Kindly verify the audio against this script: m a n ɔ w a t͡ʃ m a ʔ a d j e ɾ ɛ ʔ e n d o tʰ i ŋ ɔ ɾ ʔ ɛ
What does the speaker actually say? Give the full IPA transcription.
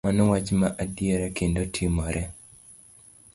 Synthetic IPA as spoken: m a n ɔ w a t͡ʃ m a ʔ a d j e ɾ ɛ k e n d o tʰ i m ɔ ɾ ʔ ɛ